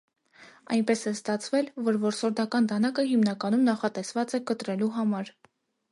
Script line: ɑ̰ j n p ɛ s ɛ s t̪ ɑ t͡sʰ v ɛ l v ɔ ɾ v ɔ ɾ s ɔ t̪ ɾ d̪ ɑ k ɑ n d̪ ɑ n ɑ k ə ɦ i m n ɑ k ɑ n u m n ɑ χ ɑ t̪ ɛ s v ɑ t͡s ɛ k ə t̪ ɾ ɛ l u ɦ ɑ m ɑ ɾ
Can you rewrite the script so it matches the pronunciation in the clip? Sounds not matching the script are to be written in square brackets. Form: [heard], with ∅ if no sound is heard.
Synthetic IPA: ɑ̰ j n p ɛ s ɛ s t̪ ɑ t͡sʰ v ɛ l v ɔ ɾ v ɔ ɾ s ɔ [∅] ɾ d̪ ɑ k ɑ n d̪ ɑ n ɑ k ə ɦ i m n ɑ k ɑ n u m n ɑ χ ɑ t̪ ɛ s v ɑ t͡s ɛ k ə t̪ ɾ ɛ l u ɦ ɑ m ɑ ɾ